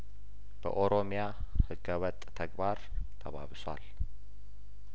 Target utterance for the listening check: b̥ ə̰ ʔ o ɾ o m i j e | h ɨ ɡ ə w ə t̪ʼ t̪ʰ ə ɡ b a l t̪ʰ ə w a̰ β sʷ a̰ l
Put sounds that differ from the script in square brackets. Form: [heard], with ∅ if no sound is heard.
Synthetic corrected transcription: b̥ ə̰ ʔ o ɾ o m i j [a] | h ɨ ɡ ə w ə t̪ʼ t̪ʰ ə ɡ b a [ɾ] t̪ʰ ə [β] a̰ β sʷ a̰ l